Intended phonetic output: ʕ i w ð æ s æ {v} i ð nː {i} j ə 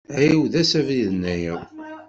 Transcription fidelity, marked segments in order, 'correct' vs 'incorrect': correct, incorrect: æ

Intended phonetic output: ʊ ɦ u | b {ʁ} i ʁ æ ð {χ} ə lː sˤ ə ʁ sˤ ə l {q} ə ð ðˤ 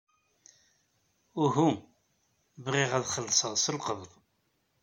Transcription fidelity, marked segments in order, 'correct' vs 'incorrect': correct, correct, correct

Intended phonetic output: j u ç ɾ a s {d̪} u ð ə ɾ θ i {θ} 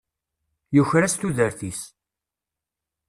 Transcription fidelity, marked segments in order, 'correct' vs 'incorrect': incorrect: t̪, incorrect: s

